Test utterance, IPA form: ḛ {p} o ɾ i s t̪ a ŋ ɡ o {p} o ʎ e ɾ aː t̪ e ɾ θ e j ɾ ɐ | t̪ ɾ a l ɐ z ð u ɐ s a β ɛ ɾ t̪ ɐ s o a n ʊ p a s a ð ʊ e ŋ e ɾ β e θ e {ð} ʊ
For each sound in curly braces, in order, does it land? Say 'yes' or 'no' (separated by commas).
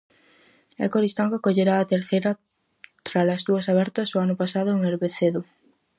no, no, yes